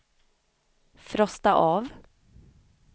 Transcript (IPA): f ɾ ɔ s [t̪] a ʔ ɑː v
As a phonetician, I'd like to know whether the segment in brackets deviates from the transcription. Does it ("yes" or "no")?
no